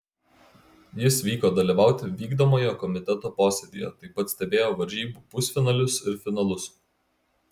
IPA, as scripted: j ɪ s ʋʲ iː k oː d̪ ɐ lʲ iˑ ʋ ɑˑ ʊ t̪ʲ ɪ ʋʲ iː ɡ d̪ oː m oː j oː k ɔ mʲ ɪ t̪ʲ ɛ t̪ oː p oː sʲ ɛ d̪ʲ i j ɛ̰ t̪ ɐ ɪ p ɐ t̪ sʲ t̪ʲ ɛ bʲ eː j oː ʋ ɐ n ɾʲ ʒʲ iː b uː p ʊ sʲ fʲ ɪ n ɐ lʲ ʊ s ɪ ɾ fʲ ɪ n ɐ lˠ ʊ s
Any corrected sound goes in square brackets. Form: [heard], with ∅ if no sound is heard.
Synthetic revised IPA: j ɪ s ʋʲ iː k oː d̪ ɐ lʲ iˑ ʋ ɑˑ ʊ t̪ʲ ɪ ʋʲ iː ɡ d̪ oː m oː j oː k ɔ mʲ ɪ t̪ʲ ɛ t̪ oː p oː sʲ ɛ d̪ʲ i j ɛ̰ t̪ ɐ ɪ p ɐ t̪ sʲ t̪ʲ ɛ bʲ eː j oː ʋ ɐ [∅] ɾʲ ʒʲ iː b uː p ʊ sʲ fʲ ɪ n ɐ lʲ ʊ s ɪ ɾ fʲ ɪ n ɐ lˠ ʊ s